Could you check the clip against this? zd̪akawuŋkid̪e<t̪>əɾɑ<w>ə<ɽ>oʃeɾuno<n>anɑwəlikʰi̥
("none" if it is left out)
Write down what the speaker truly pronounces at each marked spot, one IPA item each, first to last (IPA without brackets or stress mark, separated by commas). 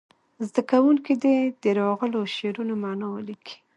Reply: d̪, ɣ, l, m